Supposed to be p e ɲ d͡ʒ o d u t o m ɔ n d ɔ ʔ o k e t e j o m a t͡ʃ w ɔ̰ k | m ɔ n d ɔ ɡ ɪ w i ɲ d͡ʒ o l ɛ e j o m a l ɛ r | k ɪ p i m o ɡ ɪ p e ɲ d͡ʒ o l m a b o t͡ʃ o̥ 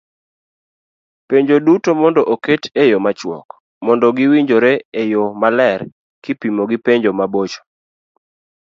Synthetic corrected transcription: p e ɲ d͡ʒ o d u t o m ɔ n d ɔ ʔ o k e t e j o m a t͡ʃ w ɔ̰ k | m ɔ n d ɔ ɡ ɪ w i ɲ d͡ʒ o ɾ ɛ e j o m a l ɛ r | k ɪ p i m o ɡ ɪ p e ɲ d͡ʒ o m a b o t͡ʃ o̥

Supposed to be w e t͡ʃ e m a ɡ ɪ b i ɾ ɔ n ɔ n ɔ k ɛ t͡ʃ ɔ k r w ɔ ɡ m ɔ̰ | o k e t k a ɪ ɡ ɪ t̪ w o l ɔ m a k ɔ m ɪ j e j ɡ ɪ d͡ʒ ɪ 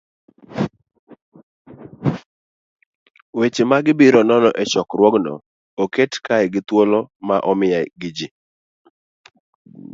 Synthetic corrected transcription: w e t͡ʃ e m a ɡ ɪ b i ɾ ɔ n ɔ n ɔ ʔ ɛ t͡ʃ ɔ k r w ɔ ɡ n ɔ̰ | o k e t k a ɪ ɡ ɪ t̪ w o l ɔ m a ʔ ɔ m ɪ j a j ɡ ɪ d͡ʒ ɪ

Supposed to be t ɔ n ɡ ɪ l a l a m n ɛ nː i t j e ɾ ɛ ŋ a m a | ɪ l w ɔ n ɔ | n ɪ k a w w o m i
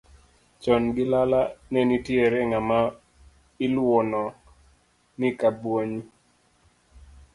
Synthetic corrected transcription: t͡ʃ ɔ n ɡ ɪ l a l a n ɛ n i t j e ɾ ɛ ŋ a m a | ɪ l w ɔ n ɔ | n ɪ k a b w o ɲ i

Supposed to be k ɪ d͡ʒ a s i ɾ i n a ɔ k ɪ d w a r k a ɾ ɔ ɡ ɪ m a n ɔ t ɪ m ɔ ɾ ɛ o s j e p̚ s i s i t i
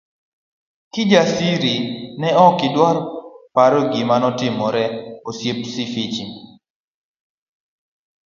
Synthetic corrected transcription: k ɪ d͡ʒ a s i ɾ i n ɛ ɔ k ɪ d w a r p a ɾ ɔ ɡ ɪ m a n ɔ t ɪ m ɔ ɾ ɛ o s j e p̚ s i f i t͡ʃ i

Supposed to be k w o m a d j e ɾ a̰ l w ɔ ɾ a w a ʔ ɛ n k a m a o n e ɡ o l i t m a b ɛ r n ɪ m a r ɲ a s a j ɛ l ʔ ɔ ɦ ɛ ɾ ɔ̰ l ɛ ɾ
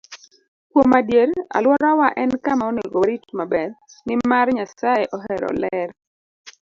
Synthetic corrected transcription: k w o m a d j e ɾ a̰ l w ɔ ɾ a w a ʔ ɛ n k a m a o n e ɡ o ɾ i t m a b ɛ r n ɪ m a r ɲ a s a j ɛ ʔ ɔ ɦ ɛ ɾ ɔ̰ l ɛ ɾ

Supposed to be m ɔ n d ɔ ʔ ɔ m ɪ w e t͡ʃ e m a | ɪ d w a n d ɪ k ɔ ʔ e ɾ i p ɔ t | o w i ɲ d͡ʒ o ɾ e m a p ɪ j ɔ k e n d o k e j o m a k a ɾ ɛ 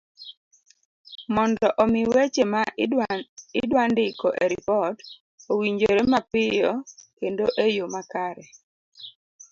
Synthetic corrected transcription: m ɔ n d ɔ ʔ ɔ m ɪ w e t͡ʃ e m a | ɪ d w a n d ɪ k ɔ ʔ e ɾ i p ɔ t | o w i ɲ d͡ʒ o ɾ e m a p ɪ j ɔ k e n d o ʔ e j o m a k a ɾ ɛ

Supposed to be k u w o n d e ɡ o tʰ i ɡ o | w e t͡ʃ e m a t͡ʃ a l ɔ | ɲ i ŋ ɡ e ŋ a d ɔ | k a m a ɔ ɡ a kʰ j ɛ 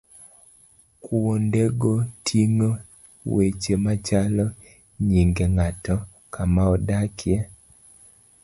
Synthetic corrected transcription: k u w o n d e ɡ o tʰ i ŋ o | w e t͡ʃ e m a t͡ʃ a l ɔ | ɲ i ŋ ɡ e ŋ a t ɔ | k a m a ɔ d a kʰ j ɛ

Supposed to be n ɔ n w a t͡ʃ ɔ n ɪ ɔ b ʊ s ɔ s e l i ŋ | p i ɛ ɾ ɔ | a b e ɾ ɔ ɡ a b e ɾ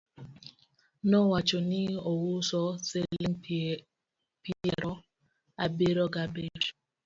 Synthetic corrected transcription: n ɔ w a t͡ʃ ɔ n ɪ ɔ w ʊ s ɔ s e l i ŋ | p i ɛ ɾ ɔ | a b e ɾ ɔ ɡ a b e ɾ

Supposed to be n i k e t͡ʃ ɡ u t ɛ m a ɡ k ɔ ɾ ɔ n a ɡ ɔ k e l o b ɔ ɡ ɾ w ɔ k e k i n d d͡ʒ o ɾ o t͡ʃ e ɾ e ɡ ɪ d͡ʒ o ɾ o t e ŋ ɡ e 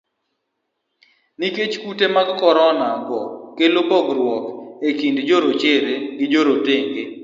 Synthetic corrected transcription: n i k e t͡ʃ k u t e m a ɡ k ɔ ɾ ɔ n a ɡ ɔ k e l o b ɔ ɡ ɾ w ɔ k e k i n d d͡ʒ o ɾ o t͡ʃ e ɾ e ɡ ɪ d͡ʒ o ɾ o t e ŋ ɡ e

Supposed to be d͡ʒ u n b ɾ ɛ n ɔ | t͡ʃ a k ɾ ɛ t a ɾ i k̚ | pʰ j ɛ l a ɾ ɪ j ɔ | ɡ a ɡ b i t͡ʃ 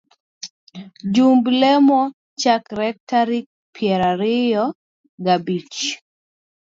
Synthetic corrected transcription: d͡ʒ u m b l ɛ m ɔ | t͡ʃ a k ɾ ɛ t a ɾ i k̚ | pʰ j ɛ ɾ a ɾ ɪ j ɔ | ɡ a b i t͡ʃ

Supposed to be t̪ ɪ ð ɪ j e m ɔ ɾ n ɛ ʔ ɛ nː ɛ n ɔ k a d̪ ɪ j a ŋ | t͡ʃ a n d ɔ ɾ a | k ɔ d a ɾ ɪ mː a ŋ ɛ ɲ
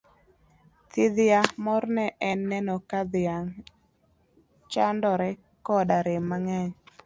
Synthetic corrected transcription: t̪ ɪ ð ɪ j a m ɔ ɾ n ɛ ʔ ɛ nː ɛ n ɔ k a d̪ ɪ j a ŋ | t͡ʃ a n d ɔ ɾ ɛ | k ɔ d a ɾ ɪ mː a ŋ ɛ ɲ

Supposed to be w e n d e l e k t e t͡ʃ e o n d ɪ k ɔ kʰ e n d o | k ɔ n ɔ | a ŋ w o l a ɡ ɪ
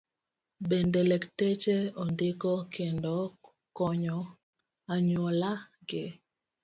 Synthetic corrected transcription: b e n d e l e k t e t͡ʃ e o n d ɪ k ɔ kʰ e n d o | k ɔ ɲ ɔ | a ɲ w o l a ɡ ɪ

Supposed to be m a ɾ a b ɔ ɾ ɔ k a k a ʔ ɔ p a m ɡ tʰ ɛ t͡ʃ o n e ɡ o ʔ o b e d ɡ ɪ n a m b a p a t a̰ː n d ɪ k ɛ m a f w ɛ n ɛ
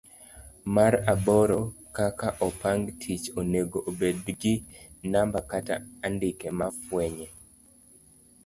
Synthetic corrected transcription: m a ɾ a b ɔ ɾ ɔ k a k a ʔ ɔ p a ŋ ɡ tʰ i t͡ʃ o n e ɡ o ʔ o b e d ɡ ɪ n a m b a k a t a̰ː n d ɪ k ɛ m a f w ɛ ɲ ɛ

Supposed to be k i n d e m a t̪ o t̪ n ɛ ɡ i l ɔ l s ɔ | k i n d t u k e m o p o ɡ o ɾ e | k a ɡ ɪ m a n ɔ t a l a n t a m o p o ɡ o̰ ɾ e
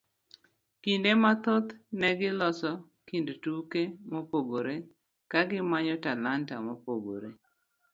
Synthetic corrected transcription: k i n d e m a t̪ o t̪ n ɛ ɡ ɪ l ɔ s ɔ | k i n d t u k e m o p o ɡ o ɾ e | k a ɡ ɪ m a ɲ ɔ t a l a n t a m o p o ɡ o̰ ɾ e

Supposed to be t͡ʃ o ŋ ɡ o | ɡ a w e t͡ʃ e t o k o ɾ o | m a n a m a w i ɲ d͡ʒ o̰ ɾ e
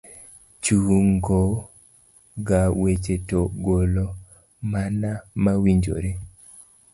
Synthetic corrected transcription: t͡ʃ u ŋ ɡ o | ɡ a w e t͡ʃ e t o ɡ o l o | m a n a m a w i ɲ d͡ʒ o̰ ɾ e

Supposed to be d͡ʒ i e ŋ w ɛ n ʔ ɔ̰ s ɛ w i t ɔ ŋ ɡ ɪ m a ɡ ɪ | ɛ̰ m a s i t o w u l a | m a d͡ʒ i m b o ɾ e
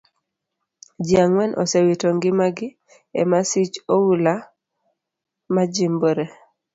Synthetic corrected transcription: d͡ʒ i a ŋ w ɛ n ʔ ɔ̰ s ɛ w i t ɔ ŋ ɡ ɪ m a ɡ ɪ | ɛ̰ m a s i t͡ʃ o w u l a | m a d͡ʒ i m b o ɾ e

